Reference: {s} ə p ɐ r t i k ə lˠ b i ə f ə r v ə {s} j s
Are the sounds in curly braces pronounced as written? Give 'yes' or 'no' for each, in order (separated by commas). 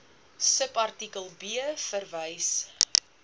yes, no